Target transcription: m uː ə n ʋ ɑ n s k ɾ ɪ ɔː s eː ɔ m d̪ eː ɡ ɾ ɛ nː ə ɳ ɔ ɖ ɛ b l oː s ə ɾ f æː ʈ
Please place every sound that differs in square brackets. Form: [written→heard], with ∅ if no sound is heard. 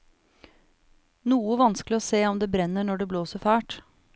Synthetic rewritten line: [m→n] uː ə [n→∅] ʋ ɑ n s k [ɾ→l] ɪ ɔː s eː ɔ m d̪ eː [ɡ→b] ɾ ɛ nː ə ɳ ɔ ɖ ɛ b l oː s ə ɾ f æː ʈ